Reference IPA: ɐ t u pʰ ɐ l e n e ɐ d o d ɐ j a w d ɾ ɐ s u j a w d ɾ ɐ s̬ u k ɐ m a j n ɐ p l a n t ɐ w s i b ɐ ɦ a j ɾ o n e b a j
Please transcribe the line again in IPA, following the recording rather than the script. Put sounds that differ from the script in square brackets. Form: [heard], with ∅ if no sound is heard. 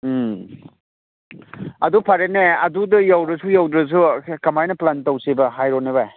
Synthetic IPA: ɐ [d] u pʰ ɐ [ɾ] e n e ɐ d [u] d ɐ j a w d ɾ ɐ s u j a w d ɾ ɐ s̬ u k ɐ m a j n ɐ p l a n t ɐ w s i b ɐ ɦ a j ɾ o n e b a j